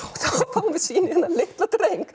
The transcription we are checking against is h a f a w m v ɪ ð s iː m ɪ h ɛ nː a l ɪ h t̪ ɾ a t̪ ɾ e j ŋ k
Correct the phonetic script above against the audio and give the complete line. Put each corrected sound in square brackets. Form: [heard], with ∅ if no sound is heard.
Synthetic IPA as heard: [θ] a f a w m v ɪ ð s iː [n] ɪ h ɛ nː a l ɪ h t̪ [l] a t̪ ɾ e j ŋ k